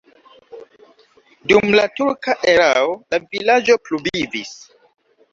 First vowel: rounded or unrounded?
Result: rounded